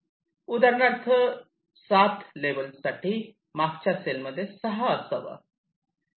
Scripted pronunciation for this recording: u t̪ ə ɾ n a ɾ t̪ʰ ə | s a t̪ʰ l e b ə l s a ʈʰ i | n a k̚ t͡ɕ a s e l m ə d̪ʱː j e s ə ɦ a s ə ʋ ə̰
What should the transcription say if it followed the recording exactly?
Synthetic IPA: u d̪ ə ɾ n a ɾ t̪ʰ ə | s a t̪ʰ l e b ə l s a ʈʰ i | m a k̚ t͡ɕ a s e l m ə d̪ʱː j e s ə ɦ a s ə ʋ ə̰